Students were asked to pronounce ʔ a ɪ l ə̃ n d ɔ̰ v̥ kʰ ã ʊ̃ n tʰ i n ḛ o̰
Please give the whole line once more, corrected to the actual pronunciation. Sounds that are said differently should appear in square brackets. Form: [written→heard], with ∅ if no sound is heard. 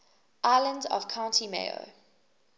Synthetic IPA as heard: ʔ a ɪ l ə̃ n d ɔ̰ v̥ kʰ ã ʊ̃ n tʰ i [n→m] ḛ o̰